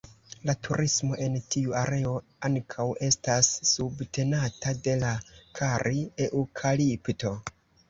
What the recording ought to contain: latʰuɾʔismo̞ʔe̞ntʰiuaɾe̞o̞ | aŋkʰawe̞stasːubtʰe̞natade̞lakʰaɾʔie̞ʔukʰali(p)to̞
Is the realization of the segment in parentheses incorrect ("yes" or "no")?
no